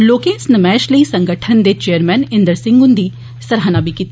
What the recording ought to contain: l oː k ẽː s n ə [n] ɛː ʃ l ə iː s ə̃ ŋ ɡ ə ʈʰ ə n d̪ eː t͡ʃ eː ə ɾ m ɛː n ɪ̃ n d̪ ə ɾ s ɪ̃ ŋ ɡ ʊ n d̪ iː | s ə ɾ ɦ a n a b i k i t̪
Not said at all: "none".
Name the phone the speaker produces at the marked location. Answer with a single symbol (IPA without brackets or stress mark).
m